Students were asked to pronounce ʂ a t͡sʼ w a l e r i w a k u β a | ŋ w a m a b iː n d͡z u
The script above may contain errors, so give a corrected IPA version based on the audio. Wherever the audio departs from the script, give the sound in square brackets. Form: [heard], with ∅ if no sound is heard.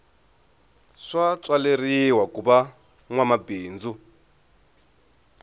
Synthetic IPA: ʂ a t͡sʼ w a l e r i w a k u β a | ŋ w a m a b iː n d͡z u